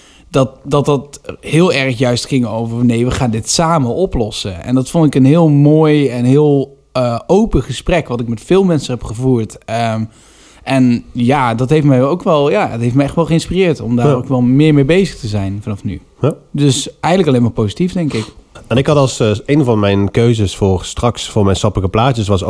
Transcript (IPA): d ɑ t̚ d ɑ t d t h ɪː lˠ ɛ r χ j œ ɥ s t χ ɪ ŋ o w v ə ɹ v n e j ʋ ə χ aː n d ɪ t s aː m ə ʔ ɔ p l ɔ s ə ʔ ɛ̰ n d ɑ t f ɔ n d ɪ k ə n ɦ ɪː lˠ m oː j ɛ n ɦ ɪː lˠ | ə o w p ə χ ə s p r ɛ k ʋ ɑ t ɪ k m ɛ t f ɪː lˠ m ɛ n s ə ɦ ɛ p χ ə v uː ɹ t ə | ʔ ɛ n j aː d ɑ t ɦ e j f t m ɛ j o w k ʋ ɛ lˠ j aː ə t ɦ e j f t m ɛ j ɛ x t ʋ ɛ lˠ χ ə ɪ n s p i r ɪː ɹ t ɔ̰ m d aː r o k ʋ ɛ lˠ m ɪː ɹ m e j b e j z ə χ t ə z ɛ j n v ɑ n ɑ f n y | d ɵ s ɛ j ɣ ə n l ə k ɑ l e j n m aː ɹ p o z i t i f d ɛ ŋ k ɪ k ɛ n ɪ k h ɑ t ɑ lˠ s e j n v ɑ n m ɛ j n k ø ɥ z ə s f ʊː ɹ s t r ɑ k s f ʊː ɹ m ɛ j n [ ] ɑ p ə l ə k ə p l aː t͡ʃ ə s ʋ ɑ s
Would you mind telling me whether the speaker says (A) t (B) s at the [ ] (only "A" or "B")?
B